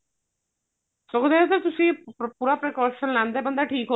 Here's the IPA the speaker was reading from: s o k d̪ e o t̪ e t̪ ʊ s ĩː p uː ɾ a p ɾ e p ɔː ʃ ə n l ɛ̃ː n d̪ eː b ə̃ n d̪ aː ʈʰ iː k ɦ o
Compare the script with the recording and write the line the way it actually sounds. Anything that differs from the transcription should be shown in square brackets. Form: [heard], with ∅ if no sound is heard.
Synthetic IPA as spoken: s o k d̪ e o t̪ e t̪ ʊ s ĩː p uː ɾ a p ɾ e [k] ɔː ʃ ə n l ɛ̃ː n d̪ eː b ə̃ n d̪ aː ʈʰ iː k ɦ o

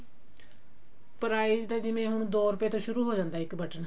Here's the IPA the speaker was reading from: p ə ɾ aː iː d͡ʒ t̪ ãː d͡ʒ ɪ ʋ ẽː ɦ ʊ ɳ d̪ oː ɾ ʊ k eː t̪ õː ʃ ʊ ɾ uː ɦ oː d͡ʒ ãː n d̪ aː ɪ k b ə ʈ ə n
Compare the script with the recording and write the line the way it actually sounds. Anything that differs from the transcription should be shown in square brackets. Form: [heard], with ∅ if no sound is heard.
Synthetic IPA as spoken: p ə ɾ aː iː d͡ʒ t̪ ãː d͡ʒ ɪ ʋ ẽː ɦ ʊ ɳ d̪ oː ɾ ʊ [p] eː t̪ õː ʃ ʊ ɾ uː ɦ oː d͡ʒ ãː n d̪ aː ɪ k b ə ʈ ə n

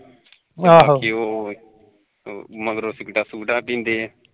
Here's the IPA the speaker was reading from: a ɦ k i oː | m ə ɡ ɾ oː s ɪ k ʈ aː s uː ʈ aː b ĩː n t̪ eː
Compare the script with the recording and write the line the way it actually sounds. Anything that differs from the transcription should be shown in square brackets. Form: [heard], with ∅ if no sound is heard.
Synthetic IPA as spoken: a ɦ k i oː | m ə ɡ ɾ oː s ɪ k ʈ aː s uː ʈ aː [p] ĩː n [d̪] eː

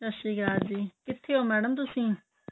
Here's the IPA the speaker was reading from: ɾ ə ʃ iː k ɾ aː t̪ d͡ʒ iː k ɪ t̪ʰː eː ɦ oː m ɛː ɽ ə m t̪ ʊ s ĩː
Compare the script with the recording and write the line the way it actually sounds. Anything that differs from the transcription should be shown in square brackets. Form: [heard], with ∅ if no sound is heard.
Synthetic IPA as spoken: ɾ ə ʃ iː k ɾ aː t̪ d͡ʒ iː k ɪ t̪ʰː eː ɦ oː m ɛː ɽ ə m t̪ ʊ s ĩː

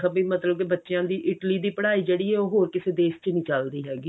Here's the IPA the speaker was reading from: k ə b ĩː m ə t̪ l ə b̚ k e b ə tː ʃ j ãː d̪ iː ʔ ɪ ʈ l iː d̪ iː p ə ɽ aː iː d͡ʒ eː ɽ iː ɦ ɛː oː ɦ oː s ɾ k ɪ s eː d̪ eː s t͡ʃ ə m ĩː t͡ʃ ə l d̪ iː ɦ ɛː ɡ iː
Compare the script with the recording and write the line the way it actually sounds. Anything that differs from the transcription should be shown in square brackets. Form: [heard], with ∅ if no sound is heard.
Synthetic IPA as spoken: k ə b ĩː m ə t̪ l ə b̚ k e b ə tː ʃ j ãː d̪ iː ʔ ɪ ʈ l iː d̪ iː p ə ɽ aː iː d͡ʒ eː ɽ iː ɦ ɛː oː ɦ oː [∅] ɾ k ɪ s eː d̪ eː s t͡ʃ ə [n] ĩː t͡ʃ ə l d̪ iː ɦ ɛː ɡ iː

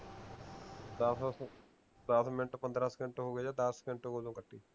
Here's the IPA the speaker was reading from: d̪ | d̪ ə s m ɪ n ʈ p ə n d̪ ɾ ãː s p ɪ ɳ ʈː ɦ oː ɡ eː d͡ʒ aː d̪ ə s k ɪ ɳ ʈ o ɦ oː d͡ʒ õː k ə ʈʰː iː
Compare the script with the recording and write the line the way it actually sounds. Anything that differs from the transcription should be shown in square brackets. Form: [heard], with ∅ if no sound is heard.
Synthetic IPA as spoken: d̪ | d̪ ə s m ɪ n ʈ p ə n d̪ ɾ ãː s [k] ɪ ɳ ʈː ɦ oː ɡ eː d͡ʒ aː d̪ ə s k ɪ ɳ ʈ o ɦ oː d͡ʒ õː k ə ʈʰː iː

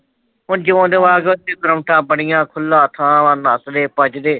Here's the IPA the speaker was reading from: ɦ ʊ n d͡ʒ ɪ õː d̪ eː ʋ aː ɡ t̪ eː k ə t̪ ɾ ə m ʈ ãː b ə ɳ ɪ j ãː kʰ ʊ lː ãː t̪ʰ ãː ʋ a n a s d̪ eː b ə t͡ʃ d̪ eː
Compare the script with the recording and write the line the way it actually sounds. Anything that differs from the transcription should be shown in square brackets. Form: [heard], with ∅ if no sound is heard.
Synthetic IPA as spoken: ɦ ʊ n d͡ʒ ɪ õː d̪ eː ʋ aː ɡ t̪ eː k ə [∅] ɾ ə m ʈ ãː b ə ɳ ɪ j ãː kʰ ʊ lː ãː t̪ʰ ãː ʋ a n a s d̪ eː [p] ə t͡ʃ d̪ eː

